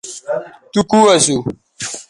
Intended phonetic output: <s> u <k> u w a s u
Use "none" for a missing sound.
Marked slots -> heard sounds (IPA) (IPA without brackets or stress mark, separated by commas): t, k